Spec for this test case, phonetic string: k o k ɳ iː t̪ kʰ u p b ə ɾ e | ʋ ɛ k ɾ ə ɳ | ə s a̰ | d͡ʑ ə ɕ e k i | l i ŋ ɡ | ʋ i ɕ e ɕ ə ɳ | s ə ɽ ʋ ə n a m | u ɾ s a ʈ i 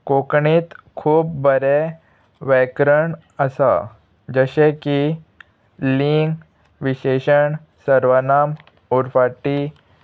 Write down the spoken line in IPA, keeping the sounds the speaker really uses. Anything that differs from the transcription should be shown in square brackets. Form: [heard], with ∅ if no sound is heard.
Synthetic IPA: k o k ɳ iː t̪ kʰ [uː] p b ə ɾ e | ʋ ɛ k ɾ ə ɳ | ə s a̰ | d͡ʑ ə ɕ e k i | l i ŋ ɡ | ʋ i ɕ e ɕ ə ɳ | s ə [ɾ] ʋ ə n a m | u ɾ [f] a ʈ i